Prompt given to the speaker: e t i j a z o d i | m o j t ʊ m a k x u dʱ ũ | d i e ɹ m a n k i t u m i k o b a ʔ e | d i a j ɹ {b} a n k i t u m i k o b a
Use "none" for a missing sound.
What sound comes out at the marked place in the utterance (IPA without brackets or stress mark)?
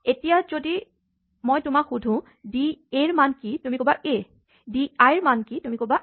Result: m